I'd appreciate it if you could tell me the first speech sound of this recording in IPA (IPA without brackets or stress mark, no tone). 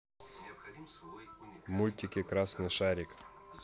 m